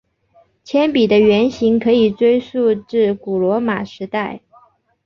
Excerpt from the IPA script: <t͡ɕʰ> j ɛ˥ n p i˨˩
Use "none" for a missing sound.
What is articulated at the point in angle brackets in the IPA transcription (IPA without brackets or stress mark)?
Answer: t͡ɕʰ